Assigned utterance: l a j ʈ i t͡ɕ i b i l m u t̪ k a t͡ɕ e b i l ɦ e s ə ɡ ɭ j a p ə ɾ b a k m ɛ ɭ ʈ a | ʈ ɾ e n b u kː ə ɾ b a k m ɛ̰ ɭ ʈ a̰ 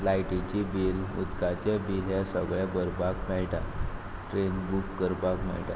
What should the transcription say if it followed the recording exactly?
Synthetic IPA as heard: l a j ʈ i t͡ɕ i b i l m u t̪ k a t͡ɕ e b i l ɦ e s ə ɡ ɭ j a b ə ɾ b a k m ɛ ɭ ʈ a | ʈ ɾ e n b u kː ə ɾ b a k m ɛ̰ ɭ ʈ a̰